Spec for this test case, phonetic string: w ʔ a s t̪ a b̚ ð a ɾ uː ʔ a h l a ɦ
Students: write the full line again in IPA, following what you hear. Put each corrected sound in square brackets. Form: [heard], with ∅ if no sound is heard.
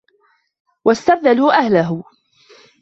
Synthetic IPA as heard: w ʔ a s t̪ a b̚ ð a [l] uː ʔ a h l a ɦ